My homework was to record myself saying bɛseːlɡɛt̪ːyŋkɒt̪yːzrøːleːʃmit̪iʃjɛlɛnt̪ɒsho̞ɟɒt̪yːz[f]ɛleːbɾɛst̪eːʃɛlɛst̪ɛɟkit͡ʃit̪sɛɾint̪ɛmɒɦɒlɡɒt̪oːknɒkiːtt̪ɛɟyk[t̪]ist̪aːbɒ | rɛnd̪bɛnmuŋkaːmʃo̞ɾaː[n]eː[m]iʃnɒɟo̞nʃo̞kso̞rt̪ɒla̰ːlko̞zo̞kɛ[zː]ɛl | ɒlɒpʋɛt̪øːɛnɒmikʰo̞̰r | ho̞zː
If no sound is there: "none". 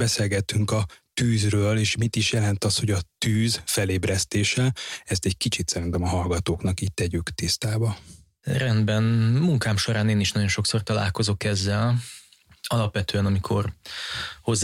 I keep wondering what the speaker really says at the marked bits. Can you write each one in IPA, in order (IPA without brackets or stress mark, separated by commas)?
f, t̪, n, n, zː